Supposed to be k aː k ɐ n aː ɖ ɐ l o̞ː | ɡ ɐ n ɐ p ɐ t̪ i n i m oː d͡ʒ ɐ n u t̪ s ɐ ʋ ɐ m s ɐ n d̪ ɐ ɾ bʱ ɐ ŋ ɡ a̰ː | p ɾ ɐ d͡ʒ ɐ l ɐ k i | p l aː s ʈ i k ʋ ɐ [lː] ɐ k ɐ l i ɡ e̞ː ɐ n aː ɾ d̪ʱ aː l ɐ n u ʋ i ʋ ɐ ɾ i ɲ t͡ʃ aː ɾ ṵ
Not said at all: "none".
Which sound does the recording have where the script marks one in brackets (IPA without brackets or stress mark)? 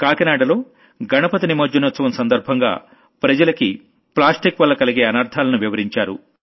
lː